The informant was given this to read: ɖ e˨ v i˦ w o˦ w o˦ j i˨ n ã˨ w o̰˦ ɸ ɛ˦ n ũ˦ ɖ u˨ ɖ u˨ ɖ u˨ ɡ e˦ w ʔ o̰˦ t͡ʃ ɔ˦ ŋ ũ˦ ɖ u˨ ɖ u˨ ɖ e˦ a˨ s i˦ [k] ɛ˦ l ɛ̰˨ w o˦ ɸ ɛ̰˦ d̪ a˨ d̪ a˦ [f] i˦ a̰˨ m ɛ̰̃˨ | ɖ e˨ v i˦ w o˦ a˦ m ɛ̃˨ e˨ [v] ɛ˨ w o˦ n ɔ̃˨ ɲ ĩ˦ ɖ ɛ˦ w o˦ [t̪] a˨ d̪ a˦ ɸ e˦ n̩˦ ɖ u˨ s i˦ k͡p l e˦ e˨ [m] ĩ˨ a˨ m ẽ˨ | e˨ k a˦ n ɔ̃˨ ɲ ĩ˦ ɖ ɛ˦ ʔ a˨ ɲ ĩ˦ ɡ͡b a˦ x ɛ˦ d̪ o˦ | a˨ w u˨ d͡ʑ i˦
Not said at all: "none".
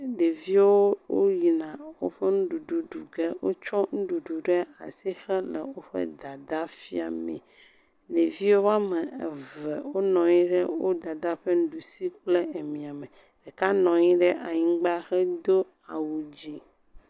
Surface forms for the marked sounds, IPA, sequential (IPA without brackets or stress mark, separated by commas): x, f, v, d̪, m